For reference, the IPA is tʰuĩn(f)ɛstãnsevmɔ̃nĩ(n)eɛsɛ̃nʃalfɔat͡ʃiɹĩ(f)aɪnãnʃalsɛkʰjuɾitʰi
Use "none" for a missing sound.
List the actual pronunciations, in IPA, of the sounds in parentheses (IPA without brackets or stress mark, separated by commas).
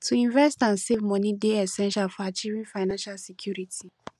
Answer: v, d, f